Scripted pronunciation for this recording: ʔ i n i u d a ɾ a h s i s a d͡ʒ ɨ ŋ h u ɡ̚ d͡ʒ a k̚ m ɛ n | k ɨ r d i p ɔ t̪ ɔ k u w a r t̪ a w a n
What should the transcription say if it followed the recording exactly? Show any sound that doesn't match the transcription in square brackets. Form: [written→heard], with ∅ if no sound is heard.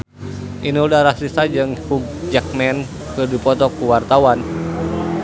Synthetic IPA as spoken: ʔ i n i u d a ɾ a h s i s a d͡ʒ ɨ ŋ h u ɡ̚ d͡ʒ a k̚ m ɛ n | k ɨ r d i p ɔ t̪ ɔ k u w a r t̪ a w a n